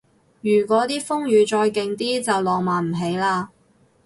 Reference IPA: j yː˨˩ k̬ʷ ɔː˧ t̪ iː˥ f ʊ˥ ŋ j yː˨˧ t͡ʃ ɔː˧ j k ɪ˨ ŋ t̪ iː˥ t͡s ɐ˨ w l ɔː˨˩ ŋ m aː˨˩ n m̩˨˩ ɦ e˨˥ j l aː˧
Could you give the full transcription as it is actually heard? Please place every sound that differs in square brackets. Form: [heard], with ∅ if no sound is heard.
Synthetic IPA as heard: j yː˨˩ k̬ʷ [ɔː˨˥] t̪ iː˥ f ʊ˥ ŋ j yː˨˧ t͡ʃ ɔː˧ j k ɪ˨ ŋ t̪ iː˥ t͡s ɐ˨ w l ɔː˨˩ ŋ m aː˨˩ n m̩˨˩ ɦ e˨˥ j l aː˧